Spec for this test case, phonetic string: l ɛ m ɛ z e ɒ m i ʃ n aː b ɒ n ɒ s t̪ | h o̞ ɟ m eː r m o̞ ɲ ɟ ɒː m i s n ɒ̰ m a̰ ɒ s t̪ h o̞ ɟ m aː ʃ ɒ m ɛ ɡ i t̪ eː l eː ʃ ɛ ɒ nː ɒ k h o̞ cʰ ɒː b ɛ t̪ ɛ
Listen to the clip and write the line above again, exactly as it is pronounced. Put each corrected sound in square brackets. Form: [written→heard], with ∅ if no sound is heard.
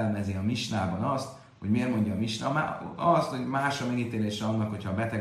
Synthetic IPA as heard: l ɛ m ɛ z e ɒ m i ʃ n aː b ɒ n ɒ s t̪ | h o̞ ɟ m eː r m o̞ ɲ ɟ ɒː m i [s→ʃ] n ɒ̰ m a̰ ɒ s t̪ h o̞ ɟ m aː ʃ ɒ m ɛ ɡ i t̪ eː l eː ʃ ɛ ɒ nː ɒ k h o̞ cʰ ɒː b ɛ t̪ ɛ